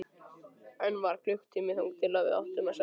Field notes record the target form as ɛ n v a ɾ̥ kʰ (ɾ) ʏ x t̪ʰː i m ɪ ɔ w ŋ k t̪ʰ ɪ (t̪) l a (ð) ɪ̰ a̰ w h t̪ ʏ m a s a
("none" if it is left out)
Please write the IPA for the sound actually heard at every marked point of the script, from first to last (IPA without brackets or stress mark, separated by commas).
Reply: l, none, v